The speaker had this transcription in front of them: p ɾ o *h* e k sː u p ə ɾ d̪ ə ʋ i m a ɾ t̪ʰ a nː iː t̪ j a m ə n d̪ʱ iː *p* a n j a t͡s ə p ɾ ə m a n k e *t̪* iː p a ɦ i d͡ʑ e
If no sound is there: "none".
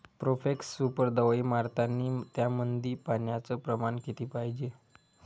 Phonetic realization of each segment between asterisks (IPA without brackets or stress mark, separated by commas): f, p, t̪